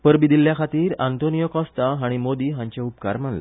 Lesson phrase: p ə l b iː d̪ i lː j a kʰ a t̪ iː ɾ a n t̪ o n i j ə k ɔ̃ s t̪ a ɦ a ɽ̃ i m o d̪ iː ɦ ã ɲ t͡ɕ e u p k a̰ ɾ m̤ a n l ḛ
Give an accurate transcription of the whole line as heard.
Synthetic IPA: p ə ɾ b i d̪ i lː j a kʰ a t̪ iː ɾ a n t̪ o n i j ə k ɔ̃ s t̪ a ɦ a ɽ̃ i m o d̪ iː ɦ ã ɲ t͡ɕ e u p k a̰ ɾ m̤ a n l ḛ